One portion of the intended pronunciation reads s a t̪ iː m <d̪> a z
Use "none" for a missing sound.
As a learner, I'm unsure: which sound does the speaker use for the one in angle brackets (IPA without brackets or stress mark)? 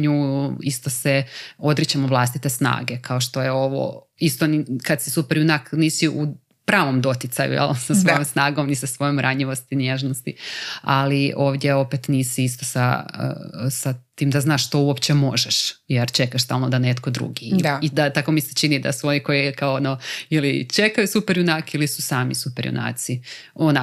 d̪